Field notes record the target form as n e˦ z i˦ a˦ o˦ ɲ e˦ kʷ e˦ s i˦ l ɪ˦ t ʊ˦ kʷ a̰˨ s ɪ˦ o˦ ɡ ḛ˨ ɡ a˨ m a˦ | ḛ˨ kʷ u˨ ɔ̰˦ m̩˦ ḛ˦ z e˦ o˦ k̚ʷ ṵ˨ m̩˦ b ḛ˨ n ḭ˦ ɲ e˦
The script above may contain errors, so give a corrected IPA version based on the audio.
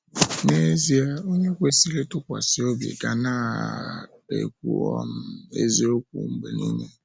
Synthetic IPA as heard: n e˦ z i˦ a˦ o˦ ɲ e˦ kʷ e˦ s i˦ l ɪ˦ t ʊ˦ kʷ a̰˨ s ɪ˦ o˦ b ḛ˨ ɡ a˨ n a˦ | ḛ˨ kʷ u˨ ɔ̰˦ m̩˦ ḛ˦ z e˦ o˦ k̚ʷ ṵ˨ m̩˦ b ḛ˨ n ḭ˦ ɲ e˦

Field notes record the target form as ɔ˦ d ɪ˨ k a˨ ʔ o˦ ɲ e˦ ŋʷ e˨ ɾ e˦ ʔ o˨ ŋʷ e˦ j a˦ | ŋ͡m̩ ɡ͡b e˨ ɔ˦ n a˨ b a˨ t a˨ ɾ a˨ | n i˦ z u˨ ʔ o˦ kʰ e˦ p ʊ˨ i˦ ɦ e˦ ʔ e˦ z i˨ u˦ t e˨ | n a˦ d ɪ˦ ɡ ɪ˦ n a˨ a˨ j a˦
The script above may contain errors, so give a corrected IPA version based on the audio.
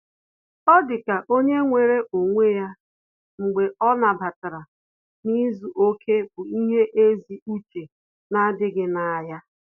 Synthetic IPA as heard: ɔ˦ d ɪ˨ k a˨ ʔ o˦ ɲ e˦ ŋʷ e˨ ɾ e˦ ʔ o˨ ŋʷ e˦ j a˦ | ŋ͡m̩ ɡ͡b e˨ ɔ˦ n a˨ b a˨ t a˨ ɾ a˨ | n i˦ z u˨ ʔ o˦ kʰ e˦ b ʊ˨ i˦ ɦ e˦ ʔ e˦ z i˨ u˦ t͡ʃ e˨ | n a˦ d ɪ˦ ɡ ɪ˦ n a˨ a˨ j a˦

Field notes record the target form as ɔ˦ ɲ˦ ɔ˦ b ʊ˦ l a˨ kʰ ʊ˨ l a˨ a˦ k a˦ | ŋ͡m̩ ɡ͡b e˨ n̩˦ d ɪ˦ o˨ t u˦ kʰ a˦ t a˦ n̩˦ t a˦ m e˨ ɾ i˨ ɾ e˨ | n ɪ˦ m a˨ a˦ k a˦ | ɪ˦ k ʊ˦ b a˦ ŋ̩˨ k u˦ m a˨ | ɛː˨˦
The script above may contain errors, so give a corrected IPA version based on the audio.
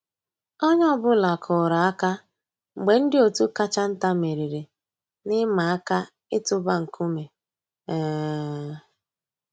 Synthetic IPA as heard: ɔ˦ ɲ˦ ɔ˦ b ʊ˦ l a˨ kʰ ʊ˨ ɾ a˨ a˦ k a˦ | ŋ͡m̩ ɡ͡b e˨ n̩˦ d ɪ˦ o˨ t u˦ k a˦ t͡ʃ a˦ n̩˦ t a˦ m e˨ ɾ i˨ ɾ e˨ | n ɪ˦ m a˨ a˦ k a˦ | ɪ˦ t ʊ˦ b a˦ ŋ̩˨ k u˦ m e˨ | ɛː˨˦

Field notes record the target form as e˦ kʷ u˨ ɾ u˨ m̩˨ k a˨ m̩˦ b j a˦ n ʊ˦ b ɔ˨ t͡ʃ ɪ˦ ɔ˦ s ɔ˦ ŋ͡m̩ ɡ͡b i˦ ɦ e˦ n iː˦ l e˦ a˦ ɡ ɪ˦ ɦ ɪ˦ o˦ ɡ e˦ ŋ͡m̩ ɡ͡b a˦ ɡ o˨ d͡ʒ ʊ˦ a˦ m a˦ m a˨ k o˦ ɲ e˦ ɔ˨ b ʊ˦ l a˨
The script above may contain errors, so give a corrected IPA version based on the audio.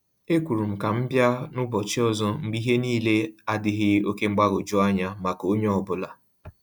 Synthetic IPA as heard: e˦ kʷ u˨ ɾ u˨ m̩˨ k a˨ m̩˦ b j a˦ n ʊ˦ b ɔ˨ t͡ʃ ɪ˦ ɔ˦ z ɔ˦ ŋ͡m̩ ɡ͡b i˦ ɦ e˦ n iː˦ l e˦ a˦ d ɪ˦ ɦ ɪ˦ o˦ k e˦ ŋ͡m̩ ɡ͡b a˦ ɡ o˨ d͡ʒ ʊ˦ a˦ ɲ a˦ m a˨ k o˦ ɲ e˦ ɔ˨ b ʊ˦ l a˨

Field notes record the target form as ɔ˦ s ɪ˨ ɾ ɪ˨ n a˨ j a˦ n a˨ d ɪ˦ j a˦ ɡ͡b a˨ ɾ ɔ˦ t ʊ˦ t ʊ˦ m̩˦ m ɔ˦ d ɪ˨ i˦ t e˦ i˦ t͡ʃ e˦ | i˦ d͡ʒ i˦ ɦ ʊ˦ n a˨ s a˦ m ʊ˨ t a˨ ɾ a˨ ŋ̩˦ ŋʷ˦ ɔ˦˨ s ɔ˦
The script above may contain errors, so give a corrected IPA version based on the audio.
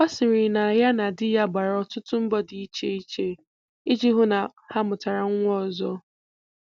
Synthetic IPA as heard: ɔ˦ s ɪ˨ ɾ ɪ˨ n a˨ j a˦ n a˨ d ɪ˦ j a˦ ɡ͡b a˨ ɾ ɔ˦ t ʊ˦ t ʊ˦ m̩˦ b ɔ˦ d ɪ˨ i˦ t͡ʃ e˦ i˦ t͡ʃ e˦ | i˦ d͡ʒ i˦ ɦ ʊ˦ n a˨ h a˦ m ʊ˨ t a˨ ɾ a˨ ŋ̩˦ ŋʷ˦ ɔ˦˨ z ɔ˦

